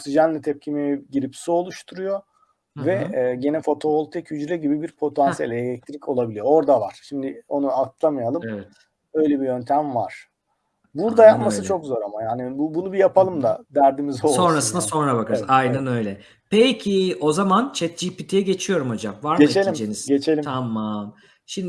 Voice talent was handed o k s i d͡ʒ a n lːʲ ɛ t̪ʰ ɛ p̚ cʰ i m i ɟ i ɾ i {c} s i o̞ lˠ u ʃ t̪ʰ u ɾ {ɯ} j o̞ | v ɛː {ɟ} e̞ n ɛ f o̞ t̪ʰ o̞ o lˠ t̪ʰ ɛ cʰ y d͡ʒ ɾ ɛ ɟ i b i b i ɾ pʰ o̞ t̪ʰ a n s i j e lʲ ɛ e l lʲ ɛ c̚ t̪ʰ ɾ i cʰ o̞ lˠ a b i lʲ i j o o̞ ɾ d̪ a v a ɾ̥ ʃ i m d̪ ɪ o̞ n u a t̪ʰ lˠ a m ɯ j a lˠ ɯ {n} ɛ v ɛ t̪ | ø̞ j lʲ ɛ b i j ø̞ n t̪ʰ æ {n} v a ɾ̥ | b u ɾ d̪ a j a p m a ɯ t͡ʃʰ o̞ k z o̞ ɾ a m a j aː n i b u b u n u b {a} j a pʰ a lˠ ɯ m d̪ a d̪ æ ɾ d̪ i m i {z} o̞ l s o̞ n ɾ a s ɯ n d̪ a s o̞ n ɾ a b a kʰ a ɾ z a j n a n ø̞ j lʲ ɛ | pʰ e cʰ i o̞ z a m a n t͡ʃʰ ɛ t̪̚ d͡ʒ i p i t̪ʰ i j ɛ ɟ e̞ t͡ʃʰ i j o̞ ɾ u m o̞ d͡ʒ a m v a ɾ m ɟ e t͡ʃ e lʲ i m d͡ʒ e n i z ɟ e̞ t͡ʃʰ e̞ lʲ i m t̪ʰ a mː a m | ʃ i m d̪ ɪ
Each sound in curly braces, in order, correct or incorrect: incorrect, incorrect, correct, incorrect, incorrect, incorrect, correct

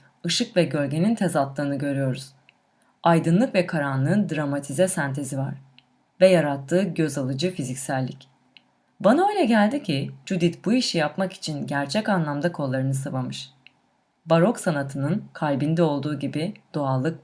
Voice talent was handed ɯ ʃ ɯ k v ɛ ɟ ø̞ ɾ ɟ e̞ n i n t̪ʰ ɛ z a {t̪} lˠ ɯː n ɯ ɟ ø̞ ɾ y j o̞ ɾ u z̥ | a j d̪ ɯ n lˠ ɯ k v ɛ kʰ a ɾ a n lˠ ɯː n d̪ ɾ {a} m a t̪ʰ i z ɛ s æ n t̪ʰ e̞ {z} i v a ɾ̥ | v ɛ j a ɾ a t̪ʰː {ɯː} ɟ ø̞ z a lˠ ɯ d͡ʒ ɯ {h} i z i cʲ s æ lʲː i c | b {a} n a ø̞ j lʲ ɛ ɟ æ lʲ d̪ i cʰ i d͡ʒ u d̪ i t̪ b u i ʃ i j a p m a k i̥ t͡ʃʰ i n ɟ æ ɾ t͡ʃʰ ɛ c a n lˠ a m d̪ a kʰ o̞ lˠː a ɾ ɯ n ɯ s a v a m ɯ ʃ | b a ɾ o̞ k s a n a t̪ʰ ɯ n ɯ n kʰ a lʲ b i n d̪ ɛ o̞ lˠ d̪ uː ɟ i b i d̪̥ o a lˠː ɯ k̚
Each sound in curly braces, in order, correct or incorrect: correct, correct, correct, correct, incorrect, correct

